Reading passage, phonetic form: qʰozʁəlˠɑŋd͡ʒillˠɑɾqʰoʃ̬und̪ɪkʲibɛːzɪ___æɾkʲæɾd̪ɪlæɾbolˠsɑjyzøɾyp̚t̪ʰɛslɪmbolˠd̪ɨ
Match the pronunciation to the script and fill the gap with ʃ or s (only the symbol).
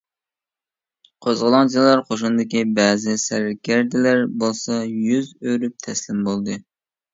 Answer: s